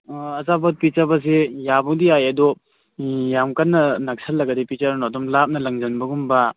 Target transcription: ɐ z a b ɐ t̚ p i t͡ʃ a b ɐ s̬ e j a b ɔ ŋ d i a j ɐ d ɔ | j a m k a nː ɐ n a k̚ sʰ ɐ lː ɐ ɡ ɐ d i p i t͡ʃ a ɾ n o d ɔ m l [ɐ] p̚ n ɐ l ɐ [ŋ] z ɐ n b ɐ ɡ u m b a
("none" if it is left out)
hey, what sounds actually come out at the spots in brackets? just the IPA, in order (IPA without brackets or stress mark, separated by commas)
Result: a, ŋ